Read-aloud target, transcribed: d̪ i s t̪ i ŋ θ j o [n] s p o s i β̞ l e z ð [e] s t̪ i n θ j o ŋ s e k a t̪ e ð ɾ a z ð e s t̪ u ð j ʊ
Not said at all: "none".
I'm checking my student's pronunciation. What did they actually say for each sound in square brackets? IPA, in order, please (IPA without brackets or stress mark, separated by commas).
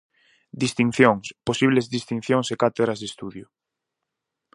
ŋ, i